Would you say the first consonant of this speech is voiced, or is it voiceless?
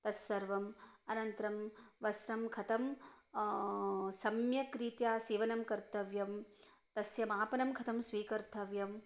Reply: voiceless